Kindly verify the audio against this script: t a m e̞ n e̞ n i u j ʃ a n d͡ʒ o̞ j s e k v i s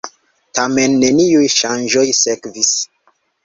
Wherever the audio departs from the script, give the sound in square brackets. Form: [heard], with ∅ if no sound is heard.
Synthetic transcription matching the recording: t a m e̞ [nː] e̞ n i u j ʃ a n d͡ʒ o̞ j s e k v i s